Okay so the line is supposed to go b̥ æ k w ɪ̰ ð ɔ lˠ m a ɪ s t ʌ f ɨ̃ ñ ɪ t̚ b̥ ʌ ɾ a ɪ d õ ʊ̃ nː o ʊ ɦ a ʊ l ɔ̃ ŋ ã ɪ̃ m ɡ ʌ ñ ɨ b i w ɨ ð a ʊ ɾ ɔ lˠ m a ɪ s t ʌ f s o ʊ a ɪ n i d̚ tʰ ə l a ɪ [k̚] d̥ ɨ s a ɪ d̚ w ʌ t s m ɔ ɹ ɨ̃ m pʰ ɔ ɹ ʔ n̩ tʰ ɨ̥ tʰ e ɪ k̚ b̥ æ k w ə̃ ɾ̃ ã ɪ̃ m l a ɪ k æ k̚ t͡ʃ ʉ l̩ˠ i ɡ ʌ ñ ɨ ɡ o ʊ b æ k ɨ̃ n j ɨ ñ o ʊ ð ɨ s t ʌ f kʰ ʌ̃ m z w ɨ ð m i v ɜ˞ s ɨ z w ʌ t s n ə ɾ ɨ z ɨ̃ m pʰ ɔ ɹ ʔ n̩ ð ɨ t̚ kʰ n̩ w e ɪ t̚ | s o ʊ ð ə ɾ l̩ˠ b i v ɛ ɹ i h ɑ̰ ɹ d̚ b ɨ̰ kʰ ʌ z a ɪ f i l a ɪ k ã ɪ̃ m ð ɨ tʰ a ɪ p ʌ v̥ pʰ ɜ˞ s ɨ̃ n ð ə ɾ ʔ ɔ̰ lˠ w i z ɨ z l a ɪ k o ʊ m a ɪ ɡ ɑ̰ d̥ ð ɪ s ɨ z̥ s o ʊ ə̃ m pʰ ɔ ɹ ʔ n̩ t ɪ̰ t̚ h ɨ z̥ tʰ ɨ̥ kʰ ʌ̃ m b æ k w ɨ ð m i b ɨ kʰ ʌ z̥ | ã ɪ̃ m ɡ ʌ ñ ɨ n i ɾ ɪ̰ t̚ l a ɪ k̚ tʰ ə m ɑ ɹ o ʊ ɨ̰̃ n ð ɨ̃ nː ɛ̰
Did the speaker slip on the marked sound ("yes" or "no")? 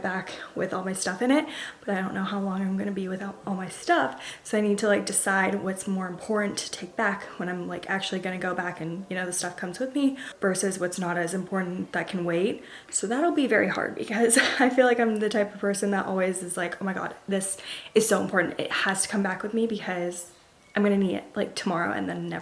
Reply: no